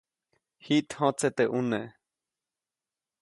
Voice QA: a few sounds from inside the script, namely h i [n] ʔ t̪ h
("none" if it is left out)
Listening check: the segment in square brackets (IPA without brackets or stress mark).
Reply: none